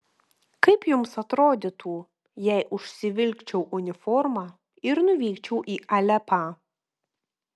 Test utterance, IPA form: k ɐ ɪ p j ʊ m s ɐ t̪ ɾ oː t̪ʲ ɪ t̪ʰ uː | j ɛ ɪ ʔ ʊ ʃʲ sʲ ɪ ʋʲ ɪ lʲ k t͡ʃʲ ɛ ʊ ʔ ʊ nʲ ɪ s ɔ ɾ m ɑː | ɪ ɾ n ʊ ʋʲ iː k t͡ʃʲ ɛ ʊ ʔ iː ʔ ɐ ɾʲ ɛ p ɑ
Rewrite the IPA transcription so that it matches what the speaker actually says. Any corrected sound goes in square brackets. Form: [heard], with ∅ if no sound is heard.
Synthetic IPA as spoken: k ɐ ɪ p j ʊ m s ɐ t̪ ɾ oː [d̪ʲ] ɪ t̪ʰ uː | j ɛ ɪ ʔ ʊ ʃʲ sʲ ɪ ʋʲ ɪ lʲ k t͡ʃʲ ɛ ʊ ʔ ʊ nʲ ɪ [f] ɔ ɾ m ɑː | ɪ ɾ n ʊ ʋʲ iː k t͡ʃʲ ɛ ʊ ʔ iː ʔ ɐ [lʲ] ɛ p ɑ